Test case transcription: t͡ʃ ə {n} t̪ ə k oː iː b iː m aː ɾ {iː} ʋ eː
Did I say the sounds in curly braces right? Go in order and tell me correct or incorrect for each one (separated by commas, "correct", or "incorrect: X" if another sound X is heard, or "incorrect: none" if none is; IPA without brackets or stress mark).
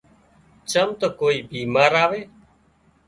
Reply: incorrect: m, incorrect: aː